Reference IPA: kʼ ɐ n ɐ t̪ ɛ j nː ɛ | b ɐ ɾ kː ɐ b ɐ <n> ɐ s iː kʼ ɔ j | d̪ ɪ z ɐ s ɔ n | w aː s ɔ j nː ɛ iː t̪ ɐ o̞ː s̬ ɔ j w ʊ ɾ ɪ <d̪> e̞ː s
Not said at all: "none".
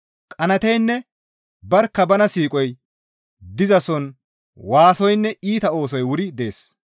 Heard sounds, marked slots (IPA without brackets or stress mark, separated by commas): n, d̪